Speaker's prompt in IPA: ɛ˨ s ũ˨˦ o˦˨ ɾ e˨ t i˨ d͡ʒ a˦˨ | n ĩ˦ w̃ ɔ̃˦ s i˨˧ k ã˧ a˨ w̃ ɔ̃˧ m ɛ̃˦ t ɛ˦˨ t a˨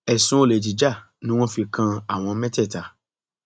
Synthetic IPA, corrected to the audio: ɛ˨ s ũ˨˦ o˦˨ l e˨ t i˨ d͡ʒ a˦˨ | n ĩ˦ w̃ ɔ̃˦ f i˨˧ k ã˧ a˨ w̃ ɔ̃˧ m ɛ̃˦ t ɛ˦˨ t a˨